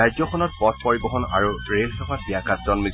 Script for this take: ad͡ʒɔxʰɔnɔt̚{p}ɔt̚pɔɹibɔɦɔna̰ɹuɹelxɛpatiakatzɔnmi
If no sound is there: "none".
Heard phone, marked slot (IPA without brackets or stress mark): p